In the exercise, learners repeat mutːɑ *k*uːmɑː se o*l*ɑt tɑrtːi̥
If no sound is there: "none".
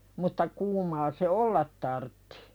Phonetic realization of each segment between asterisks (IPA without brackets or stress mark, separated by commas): k, lː